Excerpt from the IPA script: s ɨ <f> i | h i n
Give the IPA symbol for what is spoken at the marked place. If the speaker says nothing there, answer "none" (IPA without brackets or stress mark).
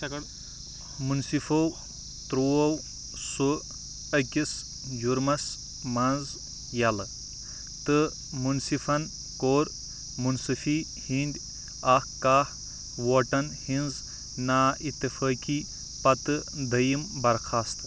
f